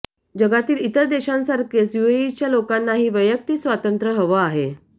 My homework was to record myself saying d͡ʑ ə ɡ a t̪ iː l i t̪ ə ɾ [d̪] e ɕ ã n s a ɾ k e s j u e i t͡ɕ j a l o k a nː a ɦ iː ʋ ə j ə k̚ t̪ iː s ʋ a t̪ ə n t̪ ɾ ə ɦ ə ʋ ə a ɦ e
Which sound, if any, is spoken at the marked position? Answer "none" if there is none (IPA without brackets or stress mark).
d̪